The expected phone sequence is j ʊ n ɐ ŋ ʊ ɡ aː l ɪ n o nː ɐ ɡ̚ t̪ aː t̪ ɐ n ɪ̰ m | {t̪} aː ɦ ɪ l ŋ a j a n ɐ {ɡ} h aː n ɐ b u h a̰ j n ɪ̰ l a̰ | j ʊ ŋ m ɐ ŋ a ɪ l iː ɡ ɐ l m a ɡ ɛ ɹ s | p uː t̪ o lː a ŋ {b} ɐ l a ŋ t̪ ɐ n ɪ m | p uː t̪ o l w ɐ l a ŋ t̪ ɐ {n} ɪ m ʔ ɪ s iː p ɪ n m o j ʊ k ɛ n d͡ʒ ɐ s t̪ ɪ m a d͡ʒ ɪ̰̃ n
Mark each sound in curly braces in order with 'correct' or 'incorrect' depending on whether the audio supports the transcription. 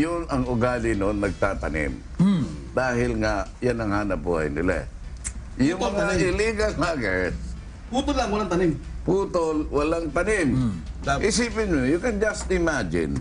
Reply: incorrect: d̪, incorrect: ŋ, incorrect: w, correct

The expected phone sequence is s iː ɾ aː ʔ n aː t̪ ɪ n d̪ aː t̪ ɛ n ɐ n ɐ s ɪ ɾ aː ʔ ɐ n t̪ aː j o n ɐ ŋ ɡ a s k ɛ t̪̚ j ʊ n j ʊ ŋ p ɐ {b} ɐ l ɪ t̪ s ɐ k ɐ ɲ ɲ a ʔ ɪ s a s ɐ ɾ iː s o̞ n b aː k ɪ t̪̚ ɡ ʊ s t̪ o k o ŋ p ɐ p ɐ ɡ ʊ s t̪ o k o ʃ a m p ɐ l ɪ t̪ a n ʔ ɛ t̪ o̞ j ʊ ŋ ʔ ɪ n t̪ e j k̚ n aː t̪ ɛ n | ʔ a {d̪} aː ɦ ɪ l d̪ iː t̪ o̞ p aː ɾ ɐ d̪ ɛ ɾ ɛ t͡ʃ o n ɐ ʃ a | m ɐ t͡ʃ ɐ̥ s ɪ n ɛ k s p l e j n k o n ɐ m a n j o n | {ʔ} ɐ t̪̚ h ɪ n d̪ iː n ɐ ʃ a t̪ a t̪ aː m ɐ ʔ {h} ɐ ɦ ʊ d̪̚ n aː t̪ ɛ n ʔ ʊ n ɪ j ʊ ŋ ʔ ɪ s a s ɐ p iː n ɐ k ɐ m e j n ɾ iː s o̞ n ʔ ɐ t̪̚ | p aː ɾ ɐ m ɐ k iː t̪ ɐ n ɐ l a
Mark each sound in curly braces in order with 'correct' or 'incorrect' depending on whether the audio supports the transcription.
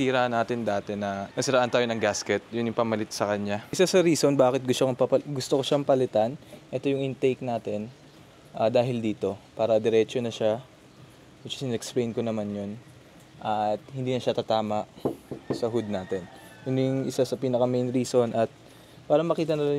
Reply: incorrect: m, correct, correct, incorrect: s

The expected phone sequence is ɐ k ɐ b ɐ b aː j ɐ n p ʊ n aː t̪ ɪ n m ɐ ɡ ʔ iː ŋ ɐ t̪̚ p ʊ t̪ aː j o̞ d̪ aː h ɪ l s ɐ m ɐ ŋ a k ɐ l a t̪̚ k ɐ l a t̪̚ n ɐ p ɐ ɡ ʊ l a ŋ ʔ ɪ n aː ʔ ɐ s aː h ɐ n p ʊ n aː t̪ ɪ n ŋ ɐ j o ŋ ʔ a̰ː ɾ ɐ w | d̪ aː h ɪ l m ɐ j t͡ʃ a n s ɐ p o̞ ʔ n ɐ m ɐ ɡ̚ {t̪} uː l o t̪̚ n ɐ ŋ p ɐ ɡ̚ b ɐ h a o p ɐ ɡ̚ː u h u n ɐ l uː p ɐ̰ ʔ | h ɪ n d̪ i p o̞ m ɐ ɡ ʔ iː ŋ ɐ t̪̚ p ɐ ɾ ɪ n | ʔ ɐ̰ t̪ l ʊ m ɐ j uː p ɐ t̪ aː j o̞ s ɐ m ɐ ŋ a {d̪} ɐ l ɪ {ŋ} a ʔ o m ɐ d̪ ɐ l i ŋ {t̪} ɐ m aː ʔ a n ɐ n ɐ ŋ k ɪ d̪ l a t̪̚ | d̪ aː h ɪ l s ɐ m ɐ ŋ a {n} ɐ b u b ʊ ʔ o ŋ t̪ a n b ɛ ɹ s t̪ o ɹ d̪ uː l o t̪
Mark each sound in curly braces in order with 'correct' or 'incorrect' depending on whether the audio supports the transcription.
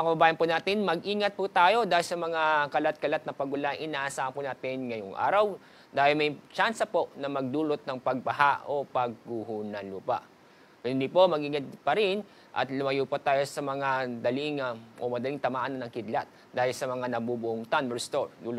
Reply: incorrect: d̪, correct, correct, correct, correct

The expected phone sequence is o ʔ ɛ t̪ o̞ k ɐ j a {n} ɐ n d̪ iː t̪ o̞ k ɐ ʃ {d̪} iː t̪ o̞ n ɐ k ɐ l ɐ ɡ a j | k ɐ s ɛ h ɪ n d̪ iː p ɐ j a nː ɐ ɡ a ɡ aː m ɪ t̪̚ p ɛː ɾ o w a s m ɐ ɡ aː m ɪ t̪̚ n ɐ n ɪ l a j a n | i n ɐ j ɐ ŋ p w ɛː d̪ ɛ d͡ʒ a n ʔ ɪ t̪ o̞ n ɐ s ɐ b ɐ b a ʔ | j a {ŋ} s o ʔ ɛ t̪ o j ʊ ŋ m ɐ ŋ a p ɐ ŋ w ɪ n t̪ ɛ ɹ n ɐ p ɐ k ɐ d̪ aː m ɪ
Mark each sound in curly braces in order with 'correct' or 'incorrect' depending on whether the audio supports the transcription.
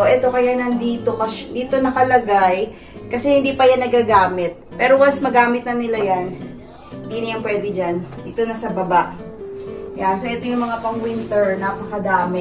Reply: correct, correct, incorrect: n

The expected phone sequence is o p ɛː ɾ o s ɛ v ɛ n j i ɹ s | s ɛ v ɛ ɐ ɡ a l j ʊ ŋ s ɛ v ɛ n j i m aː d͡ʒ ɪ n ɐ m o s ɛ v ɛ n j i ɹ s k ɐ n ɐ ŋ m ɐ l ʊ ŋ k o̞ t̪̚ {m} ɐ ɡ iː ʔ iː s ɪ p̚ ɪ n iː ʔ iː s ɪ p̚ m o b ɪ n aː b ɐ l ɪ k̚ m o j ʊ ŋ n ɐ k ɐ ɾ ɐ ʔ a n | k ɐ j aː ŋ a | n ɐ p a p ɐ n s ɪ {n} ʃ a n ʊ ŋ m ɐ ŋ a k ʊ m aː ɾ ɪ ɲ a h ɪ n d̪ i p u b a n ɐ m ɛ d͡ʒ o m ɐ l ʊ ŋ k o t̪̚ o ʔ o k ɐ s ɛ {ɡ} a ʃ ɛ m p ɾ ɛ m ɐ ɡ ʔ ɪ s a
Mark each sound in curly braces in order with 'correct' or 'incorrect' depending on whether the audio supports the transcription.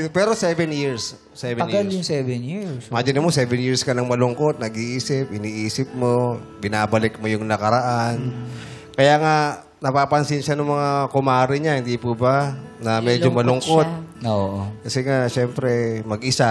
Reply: incorrect: n, correct, incorrect: ŋ

